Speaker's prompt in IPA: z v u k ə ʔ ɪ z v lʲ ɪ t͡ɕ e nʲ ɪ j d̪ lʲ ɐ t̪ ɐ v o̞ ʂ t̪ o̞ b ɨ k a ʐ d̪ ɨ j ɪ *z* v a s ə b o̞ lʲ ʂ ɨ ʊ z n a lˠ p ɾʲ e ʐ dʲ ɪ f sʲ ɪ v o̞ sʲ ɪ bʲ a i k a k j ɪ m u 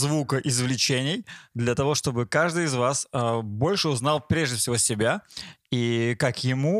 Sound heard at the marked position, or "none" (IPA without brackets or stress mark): z